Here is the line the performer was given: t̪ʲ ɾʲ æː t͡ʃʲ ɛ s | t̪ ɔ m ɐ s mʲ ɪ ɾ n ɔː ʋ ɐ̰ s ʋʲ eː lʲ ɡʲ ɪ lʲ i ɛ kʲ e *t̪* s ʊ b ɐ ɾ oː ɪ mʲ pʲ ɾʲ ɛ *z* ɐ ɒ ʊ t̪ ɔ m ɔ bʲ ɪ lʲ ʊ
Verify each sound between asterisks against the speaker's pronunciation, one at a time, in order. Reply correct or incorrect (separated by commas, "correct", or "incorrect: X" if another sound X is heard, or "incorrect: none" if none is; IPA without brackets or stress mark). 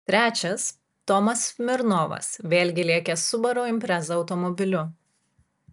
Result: incorrect: none, correct